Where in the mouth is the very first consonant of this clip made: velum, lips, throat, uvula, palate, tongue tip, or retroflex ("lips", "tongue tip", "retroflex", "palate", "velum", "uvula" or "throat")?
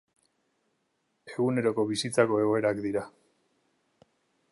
velum